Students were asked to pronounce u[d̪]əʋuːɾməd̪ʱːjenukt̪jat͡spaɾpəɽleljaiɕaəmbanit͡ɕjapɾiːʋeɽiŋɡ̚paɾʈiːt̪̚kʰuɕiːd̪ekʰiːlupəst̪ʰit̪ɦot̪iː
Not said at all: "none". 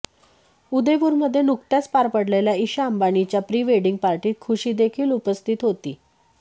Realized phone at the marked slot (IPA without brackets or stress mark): d̪